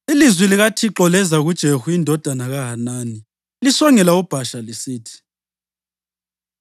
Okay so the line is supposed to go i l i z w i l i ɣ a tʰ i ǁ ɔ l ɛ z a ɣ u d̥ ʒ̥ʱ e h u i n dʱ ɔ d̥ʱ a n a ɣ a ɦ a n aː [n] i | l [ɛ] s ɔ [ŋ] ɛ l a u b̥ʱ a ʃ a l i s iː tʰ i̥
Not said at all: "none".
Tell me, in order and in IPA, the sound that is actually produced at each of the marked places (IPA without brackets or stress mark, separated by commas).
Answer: n, i, ŋ